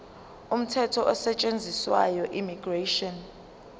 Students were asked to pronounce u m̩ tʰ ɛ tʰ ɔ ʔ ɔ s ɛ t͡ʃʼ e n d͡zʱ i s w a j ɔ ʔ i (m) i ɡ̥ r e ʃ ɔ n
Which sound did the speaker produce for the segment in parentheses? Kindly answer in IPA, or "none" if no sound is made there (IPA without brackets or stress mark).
m